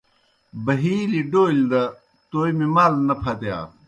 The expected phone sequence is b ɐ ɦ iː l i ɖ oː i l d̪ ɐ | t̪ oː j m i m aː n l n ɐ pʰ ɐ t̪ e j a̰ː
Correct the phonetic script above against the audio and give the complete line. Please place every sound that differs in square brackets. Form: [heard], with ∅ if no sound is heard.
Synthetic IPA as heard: b ɐ ɦ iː l i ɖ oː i l d̪ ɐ | t̪ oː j m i m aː [∅] l n ɐ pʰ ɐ t̪ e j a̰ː